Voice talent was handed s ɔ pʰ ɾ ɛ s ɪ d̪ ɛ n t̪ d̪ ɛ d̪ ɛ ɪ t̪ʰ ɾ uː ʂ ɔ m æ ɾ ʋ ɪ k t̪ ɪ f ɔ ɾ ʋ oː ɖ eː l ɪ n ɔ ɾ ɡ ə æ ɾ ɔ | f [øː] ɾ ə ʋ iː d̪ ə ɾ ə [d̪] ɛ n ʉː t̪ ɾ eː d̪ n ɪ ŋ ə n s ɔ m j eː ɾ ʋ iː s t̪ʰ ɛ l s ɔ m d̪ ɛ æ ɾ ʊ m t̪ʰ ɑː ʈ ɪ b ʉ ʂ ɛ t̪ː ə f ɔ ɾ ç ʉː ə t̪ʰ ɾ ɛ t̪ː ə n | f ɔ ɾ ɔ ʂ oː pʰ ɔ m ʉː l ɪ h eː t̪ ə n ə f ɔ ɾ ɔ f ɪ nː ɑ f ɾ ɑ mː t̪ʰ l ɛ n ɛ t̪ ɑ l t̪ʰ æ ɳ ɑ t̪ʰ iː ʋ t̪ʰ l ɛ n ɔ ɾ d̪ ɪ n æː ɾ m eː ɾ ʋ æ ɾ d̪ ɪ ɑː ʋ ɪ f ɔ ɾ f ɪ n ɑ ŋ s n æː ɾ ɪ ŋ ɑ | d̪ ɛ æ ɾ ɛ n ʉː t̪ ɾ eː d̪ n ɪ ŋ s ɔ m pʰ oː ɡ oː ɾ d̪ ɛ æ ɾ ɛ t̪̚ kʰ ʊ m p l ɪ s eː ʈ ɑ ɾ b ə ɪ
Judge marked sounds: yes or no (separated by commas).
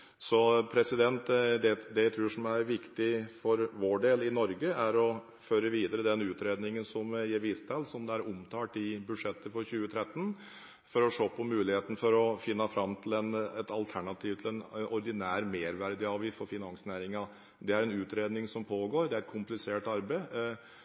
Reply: yes, yes